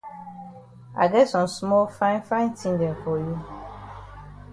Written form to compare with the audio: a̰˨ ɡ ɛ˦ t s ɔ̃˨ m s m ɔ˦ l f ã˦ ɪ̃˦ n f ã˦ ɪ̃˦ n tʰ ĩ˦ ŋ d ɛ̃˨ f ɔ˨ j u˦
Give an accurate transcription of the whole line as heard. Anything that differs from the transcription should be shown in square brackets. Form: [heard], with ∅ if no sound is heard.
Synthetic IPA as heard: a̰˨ ɡ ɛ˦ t s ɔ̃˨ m s m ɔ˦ l f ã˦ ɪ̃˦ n f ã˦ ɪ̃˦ n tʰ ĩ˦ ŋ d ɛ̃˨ f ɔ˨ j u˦